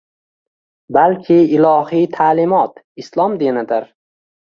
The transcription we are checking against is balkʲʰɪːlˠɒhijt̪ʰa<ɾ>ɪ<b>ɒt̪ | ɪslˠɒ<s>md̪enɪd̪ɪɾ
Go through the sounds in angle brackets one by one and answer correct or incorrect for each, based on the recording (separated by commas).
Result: incorrect, incorrect, incorrect